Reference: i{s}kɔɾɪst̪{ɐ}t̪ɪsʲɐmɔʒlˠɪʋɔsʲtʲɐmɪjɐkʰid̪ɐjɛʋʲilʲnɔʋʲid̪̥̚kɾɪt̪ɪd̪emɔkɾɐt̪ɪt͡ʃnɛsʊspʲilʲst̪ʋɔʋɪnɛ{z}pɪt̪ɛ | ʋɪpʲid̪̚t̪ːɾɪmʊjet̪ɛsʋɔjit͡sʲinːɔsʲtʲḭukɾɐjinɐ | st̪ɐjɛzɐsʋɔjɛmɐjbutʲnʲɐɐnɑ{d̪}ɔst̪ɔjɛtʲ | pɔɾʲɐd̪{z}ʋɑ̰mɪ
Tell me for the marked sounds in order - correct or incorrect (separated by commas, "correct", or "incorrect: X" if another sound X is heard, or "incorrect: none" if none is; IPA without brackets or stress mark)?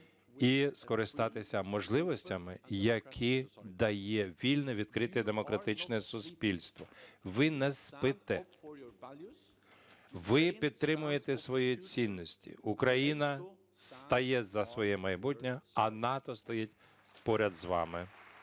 correct, incorrect: ɑ, incorrect: s, incorrect: t̪, correct